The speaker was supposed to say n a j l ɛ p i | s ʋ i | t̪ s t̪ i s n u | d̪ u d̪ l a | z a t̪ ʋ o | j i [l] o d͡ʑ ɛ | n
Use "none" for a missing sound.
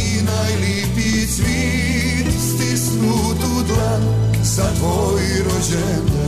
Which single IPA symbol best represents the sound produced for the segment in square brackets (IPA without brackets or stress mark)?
ɾ